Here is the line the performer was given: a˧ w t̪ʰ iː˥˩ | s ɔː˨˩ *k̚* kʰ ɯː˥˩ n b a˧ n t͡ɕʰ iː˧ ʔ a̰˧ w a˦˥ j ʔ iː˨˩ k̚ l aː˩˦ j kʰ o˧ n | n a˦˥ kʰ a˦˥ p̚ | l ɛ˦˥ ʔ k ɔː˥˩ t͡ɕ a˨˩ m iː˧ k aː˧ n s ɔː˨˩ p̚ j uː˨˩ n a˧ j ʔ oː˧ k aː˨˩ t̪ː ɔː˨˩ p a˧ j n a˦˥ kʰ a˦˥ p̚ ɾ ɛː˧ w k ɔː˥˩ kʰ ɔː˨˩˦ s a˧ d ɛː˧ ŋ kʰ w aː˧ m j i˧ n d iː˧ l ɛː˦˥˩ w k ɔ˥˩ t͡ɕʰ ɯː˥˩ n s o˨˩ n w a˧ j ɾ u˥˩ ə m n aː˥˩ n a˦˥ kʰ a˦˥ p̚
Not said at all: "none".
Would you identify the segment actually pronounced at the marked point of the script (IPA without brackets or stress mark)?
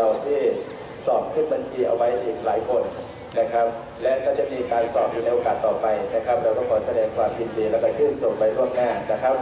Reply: p̚